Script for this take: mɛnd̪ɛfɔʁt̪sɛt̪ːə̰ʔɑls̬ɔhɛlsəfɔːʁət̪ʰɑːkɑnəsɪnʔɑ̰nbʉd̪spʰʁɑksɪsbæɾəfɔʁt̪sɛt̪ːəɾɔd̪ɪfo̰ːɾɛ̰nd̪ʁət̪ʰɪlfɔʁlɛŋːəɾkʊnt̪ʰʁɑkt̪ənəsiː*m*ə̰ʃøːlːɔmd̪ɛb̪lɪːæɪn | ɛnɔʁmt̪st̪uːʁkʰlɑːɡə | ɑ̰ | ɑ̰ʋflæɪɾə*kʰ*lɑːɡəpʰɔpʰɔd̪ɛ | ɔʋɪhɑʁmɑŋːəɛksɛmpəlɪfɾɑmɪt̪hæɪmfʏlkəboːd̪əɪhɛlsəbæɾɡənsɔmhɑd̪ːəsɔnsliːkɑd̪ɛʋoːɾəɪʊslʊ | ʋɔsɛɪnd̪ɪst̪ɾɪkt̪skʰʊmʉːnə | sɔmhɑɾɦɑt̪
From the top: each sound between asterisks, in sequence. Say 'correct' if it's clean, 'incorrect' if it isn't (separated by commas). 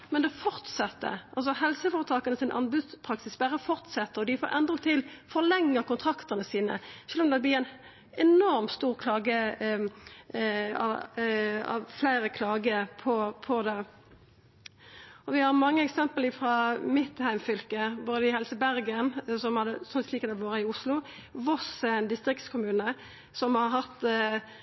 incorrect, correct